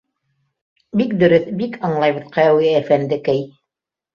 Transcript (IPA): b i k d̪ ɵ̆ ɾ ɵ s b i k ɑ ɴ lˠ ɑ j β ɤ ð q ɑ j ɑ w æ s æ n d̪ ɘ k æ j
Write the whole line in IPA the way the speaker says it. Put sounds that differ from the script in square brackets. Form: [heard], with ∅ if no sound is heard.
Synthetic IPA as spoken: b i k d̪ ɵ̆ ɾ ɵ [θ] b i k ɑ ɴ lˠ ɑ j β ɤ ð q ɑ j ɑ w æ [f] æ n d̪ ɘ k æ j